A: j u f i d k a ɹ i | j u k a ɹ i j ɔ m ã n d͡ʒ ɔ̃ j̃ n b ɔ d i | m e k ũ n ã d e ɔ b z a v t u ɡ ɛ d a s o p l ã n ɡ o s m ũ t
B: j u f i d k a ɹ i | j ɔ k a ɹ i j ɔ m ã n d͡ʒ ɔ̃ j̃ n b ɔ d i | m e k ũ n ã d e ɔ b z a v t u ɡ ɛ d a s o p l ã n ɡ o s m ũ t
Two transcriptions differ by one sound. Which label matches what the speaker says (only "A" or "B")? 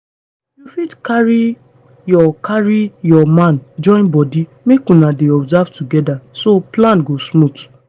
B